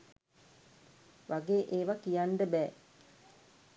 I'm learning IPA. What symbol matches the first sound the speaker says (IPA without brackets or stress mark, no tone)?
ʋ